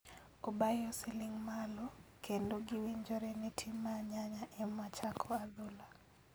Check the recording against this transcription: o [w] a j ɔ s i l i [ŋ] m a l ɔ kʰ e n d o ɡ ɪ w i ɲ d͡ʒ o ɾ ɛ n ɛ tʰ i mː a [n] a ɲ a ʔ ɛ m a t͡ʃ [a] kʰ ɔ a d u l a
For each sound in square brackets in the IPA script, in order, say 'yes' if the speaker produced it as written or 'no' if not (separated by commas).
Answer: no, yes, no, yes